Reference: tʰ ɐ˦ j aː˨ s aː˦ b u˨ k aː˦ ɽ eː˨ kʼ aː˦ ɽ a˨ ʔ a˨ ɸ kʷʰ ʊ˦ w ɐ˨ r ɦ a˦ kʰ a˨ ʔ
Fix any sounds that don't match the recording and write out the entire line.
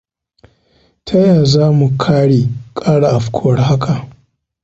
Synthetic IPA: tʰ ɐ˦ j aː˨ z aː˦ m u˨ kʰ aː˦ ɽ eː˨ kʼ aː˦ ɽ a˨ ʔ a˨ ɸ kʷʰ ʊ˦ w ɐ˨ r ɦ a˦ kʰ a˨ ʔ